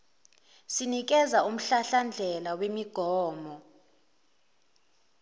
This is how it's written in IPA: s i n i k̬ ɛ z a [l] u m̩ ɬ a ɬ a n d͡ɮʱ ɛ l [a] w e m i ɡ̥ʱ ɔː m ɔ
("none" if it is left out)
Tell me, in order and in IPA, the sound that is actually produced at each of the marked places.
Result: none, a

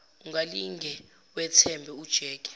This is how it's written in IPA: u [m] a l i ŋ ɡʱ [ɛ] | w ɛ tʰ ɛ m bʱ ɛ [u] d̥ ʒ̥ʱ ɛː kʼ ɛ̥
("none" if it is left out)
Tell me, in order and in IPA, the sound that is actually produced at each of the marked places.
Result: ŋ, ɛ, u

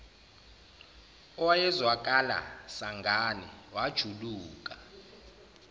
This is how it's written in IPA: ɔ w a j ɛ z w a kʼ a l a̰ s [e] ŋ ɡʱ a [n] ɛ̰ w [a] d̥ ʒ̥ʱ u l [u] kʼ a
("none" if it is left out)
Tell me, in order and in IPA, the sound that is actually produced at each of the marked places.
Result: a, n, a, uː

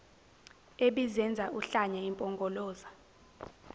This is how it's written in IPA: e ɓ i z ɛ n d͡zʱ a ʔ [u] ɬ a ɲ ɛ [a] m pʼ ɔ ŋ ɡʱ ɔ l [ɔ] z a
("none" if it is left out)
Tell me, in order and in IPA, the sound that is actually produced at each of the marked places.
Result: u, i, ɔː

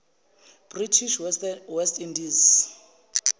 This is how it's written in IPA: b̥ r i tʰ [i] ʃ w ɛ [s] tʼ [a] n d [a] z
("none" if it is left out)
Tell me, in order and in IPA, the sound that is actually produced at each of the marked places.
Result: i, s, i, i

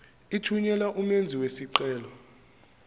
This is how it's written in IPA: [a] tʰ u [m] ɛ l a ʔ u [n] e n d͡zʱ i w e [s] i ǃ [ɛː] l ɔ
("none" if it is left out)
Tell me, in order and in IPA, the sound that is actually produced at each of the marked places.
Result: i, ɲ, m, s, ɛː

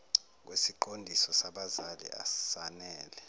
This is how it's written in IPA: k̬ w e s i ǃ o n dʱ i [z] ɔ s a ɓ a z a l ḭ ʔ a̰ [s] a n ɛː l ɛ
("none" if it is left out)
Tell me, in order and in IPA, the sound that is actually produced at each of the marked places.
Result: s, s

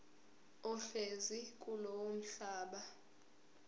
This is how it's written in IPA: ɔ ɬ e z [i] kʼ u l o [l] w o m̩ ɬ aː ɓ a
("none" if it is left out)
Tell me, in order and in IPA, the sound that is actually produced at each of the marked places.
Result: i, none

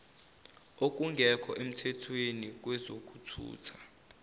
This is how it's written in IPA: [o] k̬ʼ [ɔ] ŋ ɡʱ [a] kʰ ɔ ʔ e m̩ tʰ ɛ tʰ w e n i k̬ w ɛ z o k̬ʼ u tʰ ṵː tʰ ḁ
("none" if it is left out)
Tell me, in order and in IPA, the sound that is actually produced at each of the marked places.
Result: o, u, ɛ

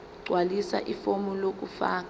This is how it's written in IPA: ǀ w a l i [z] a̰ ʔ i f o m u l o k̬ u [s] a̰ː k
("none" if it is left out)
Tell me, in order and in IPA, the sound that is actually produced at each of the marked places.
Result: s, f

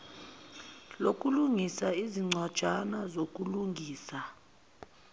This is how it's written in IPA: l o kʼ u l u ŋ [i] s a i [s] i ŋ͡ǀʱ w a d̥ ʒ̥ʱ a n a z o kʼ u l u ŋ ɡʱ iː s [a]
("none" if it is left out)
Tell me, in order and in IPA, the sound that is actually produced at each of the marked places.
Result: i, z, a

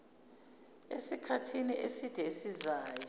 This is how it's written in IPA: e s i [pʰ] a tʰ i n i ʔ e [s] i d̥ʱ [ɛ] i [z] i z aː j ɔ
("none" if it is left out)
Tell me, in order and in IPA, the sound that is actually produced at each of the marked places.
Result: kʰ, s, ɛ, s

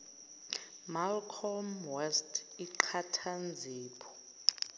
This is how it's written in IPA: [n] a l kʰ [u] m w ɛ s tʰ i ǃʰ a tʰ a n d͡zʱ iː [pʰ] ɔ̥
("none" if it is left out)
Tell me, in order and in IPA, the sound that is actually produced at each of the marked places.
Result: m, ɔ, pʰ

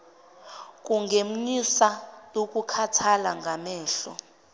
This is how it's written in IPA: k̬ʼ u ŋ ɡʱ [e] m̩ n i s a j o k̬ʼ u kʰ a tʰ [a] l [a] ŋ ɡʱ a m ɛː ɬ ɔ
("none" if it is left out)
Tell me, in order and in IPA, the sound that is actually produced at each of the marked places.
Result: e, a, a

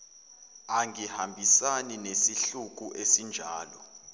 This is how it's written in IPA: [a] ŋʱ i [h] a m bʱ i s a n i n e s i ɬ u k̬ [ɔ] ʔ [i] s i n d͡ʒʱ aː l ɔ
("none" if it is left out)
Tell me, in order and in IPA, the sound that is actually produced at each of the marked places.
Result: a, h, u, e

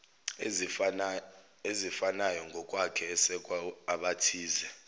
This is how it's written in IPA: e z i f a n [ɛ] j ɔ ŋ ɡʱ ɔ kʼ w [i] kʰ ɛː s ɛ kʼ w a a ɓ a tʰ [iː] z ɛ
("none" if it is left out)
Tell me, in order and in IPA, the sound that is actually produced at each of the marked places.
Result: a, a, iː

